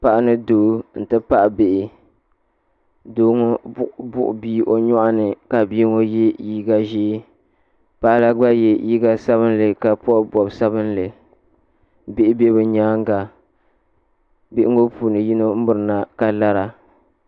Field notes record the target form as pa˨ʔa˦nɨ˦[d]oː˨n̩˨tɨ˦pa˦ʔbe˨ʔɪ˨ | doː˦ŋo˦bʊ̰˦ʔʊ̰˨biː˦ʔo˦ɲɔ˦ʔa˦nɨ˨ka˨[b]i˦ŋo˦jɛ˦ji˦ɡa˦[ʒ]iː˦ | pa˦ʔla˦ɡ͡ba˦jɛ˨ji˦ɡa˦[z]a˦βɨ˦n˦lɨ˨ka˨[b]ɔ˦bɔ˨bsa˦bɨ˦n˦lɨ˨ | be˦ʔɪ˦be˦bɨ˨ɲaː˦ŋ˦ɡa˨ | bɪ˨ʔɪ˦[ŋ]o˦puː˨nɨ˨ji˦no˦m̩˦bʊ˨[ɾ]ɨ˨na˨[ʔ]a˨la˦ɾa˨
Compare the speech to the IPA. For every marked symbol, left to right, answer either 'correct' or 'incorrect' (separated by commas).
correct, correct, correct, incorrect, incorrect, correct, correct, incorrect